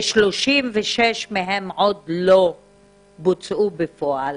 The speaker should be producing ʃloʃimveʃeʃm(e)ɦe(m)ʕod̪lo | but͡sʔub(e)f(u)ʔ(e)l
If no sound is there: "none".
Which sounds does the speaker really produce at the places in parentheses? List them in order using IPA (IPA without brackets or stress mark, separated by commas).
e, m, e, o, a